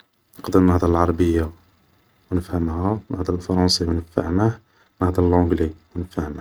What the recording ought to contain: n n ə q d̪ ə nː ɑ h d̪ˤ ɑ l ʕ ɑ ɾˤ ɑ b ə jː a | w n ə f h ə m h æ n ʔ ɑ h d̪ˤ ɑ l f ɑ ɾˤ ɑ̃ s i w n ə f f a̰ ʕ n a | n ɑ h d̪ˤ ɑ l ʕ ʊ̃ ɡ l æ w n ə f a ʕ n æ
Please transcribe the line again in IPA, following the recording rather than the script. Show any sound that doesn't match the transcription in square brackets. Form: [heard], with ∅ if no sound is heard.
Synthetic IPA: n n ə q d̪ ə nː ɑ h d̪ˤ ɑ l ʕ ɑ ɾˤ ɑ b ə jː a | w n ə f h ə m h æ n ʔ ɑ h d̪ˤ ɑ l f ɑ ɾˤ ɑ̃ s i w n ə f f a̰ ʕ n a | n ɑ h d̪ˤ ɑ l ʕ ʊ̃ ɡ l [i] w n ə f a ʕ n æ